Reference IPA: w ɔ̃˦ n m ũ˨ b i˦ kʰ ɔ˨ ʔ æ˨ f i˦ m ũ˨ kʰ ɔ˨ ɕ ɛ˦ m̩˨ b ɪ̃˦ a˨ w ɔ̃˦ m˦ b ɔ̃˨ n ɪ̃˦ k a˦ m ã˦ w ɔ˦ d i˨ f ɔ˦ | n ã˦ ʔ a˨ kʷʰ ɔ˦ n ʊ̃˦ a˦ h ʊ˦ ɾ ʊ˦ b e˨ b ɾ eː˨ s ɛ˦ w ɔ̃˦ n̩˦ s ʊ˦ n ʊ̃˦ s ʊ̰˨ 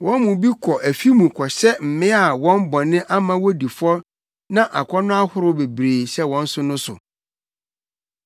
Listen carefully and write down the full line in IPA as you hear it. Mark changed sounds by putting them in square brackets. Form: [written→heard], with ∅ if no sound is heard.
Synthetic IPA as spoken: w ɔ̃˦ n m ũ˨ b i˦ kʰ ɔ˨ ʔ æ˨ f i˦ m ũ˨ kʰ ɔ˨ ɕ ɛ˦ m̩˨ [b→m] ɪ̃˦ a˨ w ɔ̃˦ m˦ b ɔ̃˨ n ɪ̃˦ [k→ʔ] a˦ m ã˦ w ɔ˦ d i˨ f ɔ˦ | n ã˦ ʔ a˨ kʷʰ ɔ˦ n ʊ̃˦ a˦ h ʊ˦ ɾ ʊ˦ b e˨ b ɾ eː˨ s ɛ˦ w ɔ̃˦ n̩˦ s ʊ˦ n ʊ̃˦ s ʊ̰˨

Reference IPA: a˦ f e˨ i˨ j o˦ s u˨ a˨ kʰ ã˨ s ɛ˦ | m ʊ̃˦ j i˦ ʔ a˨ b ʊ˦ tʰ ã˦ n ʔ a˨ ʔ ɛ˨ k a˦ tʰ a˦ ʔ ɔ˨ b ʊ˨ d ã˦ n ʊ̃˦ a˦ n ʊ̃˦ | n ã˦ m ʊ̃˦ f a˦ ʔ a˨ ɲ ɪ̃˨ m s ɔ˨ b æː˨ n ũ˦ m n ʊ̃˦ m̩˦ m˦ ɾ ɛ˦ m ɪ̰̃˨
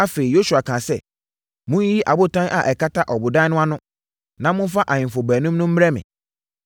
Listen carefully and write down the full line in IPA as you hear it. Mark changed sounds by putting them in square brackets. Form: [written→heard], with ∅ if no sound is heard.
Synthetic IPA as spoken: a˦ f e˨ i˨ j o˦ s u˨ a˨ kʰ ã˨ s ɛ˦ | m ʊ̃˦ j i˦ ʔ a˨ b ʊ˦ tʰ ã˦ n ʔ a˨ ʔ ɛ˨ k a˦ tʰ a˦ ʔ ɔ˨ b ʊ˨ d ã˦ n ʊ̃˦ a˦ n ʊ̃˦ | n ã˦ m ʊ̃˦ f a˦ ʔ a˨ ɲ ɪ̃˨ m [s→f] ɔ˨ b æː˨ n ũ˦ m n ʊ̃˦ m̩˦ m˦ ɾ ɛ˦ m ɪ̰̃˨

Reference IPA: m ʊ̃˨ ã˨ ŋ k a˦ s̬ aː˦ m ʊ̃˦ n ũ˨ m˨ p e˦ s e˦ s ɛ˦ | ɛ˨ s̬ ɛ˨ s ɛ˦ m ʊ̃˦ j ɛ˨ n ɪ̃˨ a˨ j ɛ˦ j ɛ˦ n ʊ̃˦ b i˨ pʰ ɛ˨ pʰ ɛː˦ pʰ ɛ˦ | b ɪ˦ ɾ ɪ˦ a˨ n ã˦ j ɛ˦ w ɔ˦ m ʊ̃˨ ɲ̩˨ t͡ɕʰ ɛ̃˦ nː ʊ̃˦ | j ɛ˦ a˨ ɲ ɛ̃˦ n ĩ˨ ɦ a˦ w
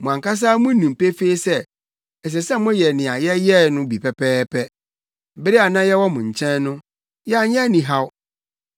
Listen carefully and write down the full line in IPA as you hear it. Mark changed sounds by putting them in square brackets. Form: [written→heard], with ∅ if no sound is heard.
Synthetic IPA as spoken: m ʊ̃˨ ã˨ ŋ k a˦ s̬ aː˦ m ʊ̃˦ n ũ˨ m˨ p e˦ [s→f] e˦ s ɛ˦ | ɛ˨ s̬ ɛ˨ s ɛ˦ m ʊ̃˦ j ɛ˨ n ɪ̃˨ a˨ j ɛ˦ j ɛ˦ n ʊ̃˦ b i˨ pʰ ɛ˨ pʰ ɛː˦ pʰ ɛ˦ | b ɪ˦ ɾ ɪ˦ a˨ n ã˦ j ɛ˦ w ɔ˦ m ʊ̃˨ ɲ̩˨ t͡ɕʰ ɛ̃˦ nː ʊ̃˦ | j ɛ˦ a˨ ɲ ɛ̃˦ n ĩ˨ ɦ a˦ w

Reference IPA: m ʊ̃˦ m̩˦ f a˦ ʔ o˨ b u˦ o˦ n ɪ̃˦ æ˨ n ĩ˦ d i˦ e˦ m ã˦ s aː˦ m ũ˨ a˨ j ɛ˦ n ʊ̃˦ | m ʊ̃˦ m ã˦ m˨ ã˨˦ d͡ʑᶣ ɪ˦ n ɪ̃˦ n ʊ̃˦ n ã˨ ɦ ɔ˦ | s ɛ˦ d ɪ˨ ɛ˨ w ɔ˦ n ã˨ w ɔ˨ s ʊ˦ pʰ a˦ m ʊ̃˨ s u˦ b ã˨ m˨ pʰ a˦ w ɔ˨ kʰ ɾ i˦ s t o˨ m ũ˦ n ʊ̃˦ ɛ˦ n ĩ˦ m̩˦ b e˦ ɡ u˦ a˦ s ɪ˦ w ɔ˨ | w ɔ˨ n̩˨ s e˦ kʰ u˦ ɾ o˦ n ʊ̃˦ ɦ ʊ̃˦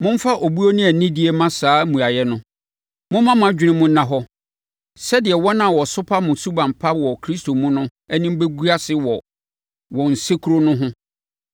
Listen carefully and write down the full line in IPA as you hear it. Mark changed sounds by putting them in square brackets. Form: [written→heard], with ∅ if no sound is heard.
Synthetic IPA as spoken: m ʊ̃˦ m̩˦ f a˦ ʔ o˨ b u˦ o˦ n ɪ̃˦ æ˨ n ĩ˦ d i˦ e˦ m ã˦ s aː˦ m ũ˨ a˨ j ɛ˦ n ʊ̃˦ | m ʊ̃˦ m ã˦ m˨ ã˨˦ d͡ʑᶣ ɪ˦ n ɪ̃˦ [n→m] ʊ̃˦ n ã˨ ɦ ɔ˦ | s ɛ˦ d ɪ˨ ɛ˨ w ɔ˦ n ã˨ w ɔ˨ s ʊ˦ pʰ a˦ m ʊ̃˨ s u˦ b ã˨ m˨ pʰ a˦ w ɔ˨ kʰ ɾ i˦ s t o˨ m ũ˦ n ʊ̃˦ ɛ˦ n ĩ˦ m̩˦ b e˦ ɡ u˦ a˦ s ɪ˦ w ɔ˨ | w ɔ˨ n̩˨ s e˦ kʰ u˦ ɾ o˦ n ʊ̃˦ ɦ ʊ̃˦

